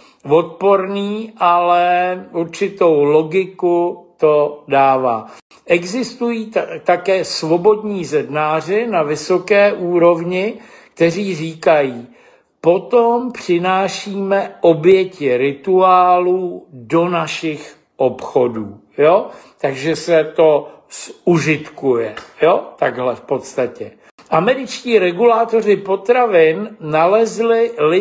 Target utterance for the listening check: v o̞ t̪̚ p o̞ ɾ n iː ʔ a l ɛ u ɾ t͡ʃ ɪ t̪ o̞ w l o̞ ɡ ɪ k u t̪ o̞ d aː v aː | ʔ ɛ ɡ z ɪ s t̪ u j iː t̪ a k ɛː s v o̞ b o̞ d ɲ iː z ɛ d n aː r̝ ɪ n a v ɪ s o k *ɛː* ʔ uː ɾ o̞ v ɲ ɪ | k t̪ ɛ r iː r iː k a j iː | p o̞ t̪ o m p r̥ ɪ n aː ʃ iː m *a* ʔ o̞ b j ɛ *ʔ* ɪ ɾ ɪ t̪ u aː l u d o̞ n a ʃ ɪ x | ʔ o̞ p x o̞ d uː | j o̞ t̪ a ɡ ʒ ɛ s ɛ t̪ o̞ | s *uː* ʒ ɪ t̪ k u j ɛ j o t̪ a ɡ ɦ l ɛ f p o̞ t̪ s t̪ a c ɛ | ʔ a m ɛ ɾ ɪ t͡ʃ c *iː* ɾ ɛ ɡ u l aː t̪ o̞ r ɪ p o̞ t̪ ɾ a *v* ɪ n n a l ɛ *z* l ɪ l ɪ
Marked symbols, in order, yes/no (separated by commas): yes, no, no, no, yes, yes, yes